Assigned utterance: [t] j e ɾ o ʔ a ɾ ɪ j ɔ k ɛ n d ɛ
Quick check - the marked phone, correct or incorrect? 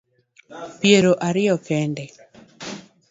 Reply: incorrect